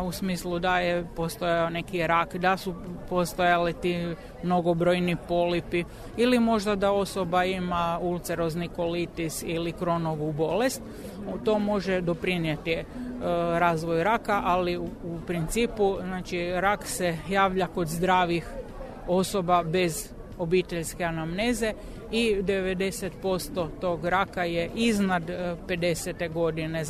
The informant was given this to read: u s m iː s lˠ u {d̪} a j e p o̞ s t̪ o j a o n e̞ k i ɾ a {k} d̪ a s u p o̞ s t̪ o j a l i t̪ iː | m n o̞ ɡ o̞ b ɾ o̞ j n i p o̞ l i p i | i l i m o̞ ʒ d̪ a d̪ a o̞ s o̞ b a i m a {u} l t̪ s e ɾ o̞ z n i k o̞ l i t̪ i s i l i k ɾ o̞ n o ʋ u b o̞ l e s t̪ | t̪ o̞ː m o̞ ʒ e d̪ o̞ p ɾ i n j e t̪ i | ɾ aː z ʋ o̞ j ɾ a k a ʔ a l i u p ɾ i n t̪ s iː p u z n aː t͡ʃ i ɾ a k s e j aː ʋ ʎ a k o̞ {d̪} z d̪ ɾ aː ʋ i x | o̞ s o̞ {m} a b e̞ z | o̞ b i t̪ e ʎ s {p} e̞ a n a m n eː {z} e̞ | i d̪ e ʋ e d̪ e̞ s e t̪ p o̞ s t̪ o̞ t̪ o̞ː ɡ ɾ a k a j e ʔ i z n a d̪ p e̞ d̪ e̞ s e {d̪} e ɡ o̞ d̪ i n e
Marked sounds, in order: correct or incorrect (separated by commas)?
correct, correct, correct, correct, incorrect, incorrect, correct, incorrect